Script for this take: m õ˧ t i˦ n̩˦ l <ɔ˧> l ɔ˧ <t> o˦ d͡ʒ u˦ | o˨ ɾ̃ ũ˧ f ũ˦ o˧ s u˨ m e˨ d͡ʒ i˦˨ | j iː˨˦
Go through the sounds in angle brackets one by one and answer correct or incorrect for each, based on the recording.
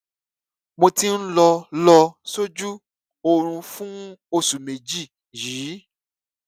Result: correct, incorrect: s

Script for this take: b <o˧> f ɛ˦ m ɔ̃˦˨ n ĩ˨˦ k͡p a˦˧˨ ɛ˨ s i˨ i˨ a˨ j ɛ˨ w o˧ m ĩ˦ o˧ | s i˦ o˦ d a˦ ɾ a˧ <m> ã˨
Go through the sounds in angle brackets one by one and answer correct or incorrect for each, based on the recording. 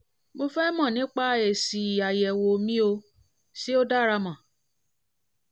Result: correct, correct

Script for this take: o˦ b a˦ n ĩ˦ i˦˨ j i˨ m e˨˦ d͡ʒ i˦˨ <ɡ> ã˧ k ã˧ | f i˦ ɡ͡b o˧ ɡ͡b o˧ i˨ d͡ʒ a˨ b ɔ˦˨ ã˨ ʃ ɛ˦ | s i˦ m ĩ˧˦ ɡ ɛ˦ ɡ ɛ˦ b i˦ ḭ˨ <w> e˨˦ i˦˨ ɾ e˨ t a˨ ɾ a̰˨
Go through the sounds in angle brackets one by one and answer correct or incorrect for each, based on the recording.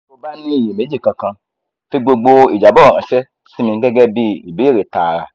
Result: incorrect: k, incorrect: b

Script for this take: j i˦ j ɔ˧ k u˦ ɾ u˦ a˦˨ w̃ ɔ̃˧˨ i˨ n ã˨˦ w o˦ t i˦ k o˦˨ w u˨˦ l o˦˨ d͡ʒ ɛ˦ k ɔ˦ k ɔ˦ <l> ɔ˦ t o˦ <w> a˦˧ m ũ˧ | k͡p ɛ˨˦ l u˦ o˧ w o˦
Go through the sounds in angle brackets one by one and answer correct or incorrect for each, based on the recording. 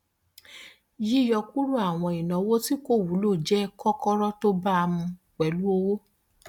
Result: incorrect: ɾ, incorrect: b

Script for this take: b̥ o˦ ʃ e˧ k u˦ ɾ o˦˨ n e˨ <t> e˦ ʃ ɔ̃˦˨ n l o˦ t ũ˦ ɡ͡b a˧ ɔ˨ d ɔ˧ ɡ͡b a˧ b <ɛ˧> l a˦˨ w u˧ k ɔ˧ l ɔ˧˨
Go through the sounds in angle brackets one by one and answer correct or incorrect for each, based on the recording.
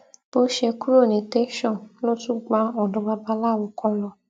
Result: correct, incorrect: a˧

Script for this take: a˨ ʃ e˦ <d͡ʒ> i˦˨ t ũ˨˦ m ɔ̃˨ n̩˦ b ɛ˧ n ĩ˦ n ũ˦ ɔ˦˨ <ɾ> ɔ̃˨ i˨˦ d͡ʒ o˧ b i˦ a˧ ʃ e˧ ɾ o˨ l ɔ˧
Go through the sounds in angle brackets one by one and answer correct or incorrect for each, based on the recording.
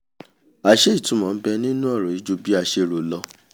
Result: incorrect: none, correct

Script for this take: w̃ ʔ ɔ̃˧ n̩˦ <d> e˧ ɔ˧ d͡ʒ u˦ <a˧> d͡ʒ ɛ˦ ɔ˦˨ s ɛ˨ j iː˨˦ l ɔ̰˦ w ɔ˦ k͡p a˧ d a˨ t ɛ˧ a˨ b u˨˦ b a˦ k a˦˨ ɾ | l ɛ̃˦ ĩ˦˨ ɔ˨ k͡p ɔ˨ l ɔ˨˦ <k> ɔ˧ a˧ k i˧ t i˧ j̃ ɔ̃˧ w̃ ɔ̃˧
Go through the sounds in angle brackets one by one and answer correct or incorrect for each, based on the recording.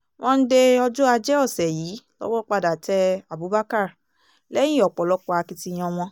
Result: correct, correct, incorrect: k͡p

